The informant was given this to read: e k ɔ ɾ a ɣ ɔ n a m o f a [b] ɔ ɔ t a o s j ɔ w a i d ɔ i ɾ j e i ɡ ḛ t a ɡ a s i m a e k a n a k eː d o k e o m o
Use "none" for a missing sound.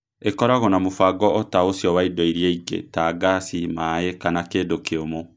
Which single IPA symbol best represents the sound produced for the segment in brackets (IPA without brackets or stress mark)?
ɡ